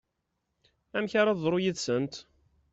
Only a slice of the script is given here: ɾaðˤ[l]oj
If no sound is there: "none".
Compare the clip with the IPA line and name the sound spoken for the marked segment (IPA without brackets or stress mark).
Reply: ɾ